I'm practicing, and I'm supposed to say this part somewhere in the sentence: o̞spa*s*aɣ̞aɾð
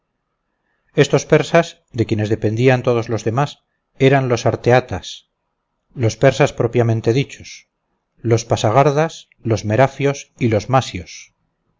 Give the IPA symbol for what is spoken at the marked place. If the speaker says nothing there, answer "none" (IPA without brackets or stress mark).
s